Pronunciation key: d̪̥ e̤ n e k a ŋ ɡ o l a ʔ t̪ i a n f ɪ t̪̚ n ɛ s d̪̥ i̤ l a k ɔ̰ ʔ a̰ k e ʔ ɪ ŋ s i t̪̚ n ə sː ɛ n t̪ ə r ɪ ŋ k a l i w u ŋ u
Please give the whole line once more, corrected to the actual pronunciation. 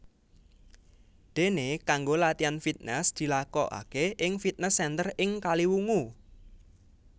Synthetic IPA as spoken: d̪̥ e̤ n e k a ŋ ɡ o l a t̪ i a n f i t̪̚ n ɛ s d̪̥ i̤ l a k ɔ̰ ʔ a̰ k e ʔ ɪ ŋ f i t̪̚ n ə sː ɛ n t̪ ə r ɪ ŋ k a l i w u ŋ u

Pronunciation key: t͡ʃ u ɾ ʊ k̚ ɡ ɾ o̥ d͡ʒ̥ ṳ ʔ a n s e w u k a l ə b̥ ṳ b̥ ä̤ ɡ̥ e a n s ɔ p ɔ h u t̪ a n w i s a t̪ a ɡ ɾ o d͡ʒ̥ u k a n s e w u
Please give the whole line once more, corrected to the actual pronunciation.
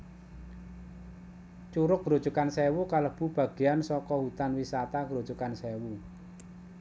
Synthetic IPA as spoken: t͡ʃ u ɾ ʊ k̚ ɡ ɾ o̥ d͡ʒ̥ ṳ k a n s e w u k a l ə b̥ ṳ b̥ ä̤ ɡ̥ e a n s ɔ k ɔ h u t̪ a n w i s a t̪ a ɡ ɾ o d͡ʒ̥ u k a n s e w u

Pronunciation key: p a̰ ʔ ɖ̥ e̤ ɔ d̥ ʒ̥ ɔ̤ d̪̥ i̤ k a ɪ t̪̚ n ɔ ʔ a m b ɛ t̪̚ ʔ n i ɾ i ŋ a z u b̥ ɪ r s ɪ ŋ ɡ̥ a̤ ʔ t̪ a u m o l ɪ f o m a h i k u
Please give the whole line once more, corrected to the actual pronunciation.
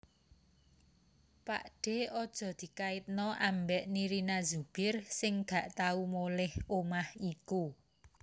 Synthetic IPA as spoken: p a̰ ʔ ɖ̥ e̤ ɔ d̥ ʒ̥ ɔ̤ d̪̥ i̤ k a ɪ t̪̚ n ɔ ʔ a m b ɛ ʔ n i ɾ i n a z u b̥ ɪ r s ɪ ŋ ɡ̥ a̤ ʔ t̪ a u m o l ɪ h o m a h i k u

